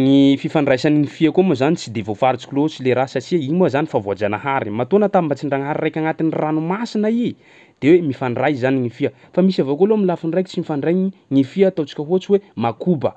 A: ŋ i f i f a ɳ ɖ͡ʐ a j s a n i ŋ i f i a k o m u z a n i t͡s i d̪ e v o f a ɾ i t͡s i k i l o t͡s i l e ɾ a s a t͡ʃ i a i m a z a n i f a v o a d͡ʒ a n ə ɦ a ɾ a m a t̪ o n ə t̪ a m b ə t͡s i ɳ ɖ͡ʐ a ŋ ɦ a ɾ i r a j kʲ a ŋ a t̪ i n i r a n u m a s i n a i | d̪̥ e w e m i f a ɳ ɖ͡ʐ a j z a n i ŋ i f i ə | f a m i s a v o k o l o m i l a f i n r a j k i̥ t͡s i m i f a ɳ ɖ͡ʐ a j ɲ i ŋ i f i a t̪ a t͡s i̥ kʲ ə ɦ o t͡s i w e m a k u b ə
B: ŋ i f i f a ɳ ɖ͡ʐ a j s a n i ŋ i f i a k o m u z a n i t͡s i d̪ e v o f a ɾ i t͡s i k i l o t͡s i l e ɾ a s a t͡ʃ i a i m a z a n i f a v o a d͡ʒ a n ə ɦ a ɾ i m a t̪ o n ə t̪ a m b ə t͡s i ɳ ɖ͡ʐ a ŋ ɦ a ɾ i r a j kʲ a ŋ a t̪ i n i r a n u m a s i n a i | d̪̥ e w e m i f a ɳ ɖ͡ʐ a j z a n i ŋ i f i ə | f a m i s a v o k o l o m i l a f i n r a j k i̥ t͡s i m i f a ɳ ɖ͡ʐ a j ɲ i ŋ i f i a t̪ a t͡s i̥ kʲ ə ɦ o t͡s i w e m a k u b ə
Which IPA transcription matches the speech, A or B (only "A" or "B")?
B